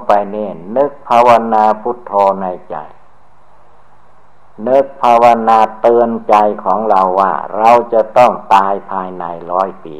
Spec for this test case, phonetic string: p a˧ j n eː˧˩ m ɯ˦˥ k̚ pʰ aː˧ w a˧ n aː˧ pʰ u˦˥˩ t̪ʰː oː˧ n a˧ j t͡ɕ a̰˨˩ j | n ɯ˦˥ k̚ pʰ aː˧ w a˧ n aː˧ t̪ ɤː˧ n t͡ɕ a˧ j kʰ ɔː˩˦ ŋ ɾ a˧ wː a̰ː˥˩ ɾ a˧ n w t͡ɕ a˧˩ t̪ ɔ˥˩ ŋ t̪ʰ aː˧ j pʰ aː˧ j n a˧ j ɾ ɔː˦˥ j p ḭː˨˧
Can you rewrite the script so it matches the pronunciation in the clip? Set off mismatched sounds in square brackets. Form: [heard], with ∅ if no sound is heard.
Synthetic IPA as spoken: p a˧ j n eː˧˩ [n] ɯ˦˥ k̚ pʰ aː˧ w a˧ n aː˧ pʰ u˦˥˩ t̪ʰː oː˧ n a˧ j t͡ɕ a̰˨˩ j | n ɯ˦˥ k̚ pʰ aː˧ w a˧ n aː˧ t̪ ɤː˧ n t͡ɕ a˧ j kʰ ɔː˩˦ ŋ ɾ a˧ wː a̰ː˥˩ ɾ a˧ [∅] w t͡ɕ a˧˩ t̪ ɔ˥˩ ŋ [t̪] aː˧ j pʰ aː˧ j n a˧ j ɾ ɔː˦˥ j p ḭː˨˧